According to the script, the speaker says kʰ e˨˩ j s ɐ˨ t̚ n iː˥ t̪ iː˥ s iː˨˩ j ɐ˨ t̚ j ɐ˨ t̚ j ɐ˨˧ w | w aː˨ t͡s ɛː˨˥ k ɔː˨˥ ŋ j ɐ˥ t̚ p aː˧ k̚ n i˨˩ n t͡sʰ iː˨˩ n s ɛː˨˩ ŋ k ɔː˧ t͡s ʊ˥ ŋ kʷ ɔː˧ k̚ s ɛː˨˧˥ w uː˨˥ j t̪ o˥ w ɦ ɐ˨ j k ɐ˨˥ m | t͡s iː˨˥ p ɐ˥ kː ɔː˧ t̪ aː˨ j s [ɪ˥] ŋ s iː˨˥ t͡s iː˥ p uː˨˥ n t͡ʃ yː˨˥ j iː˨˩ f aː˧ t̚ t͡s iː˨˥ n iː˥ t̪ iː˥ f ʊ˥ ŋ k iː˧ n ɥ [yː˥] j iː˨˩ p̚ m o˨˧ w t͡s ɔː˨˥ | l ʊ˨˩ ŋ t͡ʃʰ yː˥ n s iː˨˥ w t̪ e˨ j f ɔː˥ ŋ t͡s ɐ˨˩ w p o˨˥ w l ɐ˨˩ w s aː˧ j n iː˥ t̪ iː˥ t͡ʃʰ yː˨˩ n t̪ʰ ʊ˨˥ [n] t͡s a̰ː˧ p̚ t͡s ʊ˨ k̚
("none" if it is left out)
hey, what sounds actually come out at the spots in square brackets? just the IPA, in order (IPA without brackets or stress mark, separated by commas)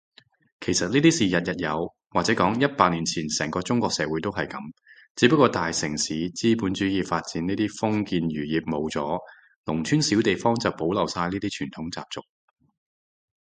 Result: ɪ˨˩, yː˨˩, ŋ